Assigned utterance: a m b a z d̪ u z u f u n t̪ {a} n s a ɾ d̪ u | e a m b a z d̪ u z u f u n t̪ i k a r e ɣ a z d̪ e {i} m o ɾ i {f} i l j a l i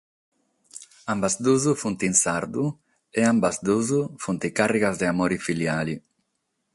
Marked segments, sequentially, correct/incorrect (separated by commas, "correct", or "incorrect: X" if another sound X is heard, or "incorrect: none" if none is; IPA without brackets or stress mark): incorrect: i, incorrect: a, correct